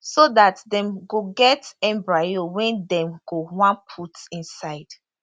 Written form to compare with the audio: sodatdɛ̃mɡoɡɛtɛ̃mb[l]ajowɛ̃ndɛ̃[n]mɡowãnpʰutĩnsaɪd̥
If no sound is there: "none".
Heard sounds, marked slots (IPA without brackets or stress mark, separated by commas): ɹ, none